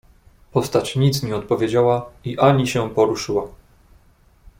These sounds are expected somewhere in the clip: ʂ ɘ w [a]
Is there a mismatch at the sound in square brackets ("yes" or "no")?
no